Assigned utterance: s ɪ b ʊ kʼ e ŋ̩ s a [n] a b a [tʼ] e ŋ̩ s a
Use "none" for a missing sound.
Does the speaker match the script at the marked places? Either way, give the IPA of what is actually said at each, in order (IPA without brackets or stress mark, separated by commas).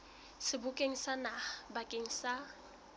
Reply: n, kʼ